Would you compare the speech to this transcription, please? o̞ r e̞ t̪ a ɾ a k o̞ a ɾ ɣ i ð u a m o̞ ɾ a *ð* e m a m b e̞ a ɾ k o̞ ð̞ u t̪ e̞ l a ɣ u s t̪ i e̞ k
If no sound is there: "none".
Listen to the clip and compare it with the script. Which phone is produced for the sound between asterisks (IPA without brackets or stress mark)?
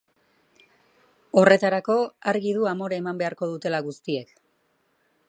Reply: none